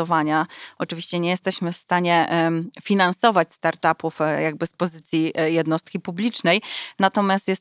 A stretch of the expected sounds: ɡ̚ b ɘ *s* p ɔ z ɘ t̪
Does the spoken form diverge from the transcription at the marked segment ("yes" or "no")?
no